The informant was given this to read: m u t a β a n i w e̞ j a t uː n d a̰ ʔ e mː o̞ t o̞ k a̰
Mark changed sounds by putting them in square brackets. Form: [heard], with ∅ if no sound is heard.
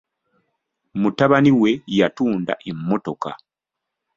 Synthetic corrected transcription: m u t a β a n i w e̞ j a t uː n d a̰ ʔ e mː o̞ t o̞ k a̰